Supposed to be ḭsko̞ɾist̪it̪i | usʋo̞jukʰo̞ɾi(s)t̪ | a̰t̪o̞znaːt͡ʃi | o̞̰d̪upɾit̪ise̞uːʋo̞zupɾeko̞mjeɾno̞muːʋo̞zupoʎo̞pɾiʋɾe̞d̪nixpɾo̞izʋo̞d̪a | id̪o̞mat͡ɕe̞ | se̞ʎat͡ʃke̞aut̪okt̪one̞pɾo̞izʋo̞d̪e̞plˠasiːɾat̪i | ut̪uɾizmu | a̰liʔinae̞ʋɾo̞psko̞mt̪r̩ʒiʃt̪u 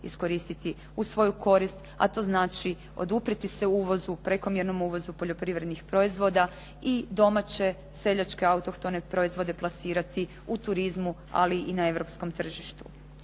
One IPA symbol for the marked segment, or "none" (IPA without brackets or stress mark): s